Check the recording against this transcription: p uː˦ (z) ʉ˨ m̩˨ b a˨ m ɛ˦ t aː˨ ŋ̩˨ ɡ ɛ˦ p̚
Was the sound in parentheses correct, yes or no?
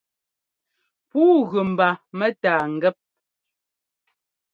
no